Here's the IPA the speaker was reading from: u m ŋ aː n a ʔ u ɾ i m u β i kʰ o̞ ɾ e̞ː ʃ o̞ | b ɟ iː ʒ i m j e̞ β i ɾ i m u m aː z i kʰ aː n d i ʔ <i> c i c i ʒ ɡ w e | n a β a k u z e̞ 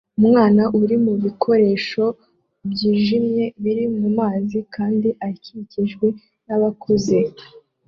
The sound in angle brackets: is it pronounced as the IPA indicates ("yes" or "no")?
no